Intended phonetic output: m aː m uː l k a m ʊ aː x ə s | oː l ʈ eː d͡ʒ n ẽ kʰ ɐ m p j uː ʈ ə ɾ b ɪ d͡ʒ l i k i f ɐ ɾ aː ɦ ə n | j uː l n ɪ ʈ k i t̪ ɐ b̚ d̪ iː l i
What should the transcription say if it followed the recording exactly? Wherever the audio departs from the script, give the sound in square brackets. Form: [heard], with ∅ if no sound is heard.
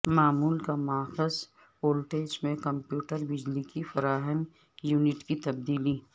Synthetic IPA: m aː m uː l k a m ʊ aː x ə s | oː l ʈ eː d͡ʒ [m] ẽ [k] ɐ m p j uː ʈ ə ɾ b ɪ d͡ʒ l i k i f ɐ ɾ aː ɦ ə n | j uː [∅] n ɪ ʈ k i t̪ ɐ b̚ d̪ iː l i

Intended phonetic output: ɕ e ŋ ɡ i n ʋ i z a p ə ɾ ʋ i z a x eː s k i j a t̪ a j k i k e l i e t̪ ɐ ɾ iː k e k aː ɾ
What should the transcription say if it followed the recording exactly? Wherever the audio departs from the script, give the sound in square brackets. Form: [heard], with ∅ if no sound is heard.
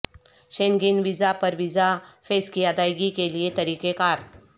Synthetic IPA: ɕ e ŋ ɡ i n ʋ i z a p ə ɾ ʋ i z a [f] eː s k i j a [d̪] a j [ɡ] i k e l i e t̪ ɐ ɾ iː k e k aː ɾ

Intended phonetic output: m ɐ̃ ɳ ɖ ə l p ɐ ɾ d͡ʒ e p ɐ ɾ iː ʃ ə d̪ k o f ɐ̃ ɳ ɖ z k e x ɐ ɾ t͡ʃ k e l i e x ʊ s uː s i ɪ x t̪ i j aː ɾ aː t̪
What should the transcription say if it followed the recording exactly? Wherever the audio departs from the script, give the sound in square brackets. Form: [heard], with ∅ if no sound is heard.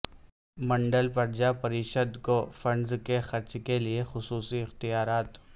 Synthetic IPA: m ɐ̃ ɳ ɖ ə l p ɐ ɾ d͡ʒ [a] p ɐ ɾ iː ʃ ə d̪ k o f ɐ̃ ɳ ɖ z k e x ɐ ɾ t͡ʃ k e l i e x ʊ s uː s i ɪ x t̪ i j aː ɾ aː t̪

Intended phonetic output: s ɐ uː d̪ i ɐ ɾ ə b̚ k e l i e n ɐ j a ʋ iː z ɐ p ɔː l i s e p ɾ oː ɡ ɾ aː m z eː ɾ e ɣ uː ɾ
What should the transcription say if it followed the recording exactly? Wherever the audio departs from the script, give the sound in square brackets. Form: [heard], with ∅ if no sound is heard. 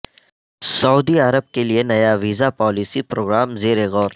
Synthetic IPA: s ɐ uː d̪ i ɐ ɾ ə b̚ k e l i e n ɐ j a ʋ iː z [a] p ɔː l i s [i] p ɾ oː ɡ ɾ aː m z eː ɾ e ɣ [ɔː] ɾ

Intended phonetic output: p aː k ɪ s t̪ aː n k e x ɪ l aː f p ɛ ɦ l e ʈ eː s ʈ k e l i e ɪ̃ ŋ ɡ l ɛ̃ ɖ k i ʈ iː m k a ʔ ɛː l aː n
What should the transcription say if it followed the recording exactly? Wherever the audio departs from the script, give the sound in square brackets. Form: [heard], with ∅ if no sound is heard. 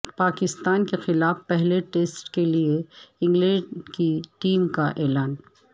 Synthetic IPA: p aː k ɪ s t̪ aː n k e x ɪ l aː f p ɛ ɦ l e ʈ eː s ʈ k e l i e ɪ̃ ŋ ɡ l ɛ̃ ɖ k i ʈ iː m k a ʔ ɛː l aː n

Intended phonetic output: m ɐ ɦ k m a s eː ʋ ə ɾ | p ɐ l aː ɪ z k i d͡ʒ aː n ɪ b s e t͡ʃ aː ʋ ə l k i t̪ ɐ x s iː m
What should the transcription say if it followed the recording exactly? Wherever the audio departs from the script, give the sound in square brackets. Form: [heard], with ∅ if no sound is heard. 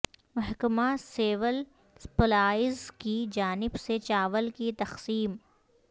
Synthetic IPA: m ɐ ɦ k m a s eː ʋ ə [l] | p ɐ l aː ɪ z k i d͡ʒ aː n ɪ b s e t͡ʃ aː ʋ ə l k i t̪ ɐ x s iː m

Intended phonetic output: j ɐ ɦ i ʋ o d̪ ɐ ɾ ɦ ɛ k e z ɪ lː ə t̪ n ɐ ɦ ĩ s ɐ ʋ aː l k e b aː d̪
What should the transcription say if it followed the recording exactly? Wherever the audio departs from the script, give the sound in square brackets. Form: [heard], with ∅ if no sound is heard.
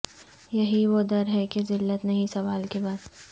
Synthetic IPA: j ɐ ɦ i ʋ o d̪ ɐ ɾ ɦ ɛ k e z ɪ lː ə t̪ n ɐ ɦ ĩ s ɐ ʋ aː l k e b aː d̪

